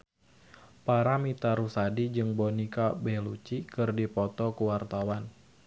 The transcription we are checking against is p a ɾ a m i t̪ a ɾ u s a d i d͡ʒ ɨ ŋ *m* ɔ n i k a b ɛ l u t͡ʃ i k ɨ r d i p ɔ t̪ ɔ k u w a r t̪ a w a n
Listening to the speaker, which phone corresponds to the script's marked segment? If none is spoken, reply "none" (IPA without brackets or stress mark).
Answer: b